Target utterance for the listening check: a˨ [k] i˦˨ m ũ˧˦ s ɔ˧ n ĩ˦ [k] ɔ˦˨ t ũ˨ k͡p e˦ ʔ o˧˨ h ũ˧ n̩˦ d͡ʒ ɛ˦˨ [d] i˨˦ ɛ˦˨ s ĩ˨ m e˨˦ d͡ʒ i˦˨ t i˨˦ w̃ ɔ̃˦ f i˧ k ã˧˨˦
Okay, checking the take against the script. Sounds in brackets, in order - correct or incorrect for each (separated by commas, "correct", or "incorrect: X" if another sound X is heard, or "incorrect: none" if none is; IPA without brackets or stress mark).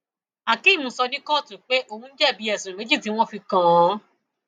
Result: correct, correct, incorrect: b